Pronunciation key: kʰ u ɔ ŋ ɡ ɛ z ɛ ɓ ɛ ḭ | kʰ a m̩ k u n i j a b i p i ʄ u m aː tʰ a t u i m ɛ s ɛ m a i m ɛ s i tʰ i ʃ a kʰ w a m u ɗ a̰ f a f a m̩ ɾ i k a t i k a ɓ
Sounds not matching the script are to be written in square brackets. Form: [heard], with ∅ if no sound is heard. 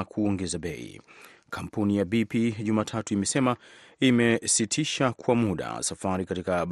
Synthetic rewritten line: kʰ u ɔ ŋ ɡ ɛ z [a] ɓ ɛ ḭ | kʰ a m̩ [p] u n i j a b i p i ʄ u m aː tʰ a t u i m ɛ s ɛ m a i m ɛ s i tʰ i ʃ a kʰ w a m u ɗ a̰ [s] a f a [∅] ɾ i k a t i k a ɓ